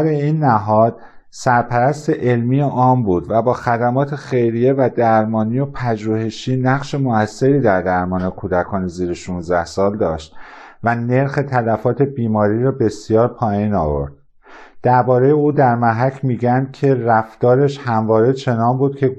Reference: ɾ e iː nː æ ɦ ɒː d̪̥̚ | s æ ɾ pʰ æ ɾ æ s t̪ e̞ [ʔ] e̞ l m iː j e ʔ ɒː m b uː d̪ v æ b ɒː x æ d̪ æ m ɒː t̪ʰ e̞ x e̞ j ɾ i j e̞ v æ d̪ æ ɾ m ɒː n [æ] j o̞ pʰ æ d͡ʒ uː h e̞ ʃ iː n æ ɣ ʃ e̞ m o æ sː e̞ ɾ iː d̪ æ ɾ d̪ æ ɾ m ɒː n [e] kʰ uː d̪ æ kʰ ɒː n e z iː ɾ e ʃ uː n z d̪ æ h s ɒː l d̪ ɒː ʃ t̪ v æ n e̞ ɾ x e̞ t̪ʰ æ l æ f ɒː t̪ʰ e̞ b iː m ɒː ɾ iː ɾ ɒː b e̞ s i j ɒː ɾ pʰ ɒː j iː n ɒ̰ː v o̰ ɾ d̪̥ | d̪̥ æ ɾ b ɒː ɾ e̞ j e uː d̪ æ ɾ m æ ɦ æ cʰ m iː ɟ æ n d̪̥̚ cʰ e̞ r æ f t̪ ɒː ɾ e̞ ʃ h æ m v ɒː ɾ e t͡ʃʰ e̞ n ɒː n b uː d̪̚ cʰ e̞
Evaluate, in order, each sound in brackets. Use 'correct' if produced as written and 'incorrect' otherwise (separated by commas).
correct, incorrect, correct